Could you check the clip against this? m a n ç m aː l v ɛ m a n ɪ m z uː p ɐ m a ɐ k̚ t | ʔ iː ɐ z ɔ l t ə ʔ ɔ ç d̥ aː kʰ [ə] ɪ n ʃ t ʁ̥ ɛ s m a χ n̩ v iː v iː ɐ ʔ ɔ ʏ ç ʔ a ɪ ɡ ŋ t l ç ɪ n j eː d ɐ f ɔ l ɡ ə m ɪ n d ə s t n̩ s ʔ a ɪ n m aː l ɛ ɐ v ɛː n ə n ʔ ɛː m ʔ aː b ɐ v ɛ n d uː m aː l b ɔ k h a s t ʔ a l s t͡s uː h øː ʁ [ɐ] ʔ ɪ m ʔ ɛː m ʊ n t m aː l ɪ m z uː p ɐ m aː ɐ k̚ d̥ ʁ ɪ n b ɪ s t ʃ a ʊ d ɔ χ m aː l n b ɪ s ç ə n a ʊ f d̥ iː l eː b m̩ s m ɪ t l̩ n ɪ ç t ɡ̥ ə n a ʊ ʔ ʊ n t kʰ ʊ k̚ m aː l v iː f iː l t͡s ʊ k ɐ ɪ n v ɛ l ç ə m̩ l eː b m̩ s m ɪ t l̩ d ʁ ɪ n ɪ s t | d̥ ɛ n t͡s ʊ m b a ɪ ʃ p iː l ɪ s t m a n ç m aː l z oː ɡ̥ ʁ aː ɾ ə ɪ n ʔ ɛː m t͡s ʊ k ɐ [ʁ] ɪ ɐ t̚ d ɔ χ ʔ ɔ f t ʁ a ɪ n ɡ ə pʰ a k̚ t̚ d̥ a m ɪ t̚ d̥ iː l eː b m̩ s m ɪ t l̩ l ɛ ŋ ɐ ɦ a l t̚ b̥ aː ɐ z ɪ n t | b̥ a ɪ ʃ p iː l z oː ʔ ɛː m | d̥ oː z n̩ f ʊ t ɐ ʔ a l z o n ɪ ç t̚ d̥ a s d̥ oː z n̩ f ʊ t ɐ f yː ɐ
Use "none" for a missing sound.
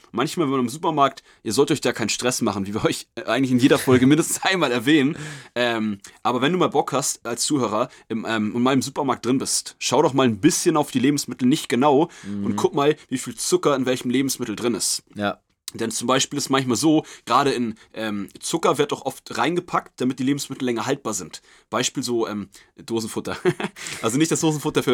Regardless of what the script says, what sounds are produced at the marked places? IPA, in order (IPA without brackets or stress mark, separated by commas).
a, ɐ, v